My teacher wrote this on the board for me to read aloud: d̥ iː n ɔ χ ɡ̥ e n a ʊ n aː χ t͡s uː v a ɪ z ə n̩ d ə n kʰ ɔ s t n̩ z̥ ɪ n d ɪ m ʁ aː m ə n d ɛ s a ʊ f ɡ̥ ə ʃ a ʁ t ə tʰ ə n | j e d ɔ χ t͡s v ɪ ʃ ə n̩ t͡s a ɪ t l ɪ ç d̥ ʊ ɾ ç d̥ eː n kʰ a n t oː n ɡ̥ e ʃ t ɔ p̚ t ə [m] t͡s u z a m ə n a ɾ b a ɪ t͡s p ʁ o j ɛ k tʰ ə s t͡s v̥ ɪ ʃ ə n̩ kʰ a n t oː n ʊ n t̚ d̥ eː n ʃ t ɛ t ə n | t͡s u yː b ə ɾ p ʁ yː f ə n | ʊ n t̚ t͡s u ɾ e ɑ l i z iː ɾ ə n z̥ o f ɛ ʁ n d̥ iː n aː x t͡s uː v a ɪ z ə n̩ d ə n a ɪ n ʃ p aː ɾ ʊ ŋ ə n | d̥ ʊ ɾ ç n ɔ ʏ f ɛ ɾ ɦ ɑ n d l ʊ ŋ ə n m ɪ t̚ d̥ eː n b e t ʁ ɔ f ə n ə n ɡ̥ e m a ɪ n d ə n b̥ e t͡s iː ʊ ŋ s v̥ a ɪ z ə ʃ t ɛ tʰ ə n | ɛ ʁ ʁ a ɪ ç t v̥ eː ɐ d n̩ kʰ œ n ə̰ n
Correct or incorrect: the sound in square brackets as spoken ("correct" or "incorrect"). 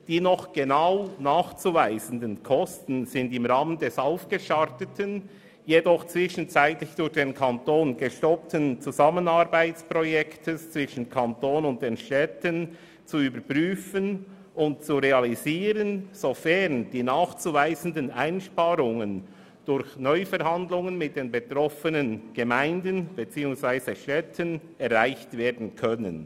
incorrect